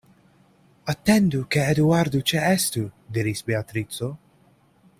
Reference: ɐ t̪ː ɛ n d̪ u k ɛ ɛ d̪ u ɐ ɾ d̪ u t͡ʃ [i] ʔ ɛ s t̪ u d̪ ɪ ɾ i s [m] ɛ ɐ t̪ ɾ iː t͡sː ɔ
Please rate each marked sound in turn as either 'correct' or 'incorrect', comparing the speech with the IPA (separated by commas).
incorrect, incorrect